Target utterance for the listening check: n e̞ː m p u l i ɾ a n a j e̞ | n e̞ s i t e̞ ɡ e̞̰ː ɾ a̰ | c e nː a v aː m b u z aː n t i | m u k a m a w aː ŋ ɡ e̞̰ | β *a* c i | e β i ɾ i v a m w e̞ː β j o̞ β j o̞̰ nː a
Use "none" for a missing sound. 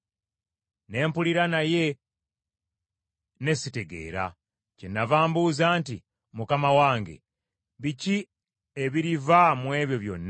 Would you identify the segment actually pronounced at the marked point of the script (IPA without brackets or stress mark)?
i